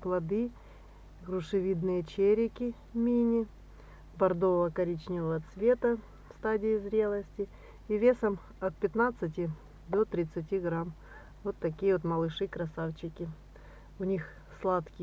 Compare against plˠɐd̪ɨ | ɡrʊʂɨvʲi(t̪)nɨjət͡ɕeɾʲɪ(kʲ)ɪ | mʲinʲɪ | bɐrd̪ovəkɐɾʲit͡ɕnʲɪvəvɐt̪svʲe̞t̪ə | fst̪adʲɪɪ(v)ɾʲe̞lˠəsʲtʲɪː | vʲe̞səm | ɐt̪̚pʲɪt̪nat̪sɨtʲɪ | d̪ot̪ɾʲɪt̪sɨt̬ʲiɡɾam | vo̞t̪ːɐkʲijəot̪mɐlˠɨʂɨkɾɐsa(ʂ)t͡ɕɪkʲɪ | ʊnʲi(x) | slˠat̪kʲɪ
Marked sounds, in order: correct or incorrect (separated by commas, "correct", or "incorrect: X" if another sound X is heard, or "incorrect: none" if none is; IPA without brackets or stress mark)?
incorrect: d̪, correct, incorrect: z, incorrect: f, correct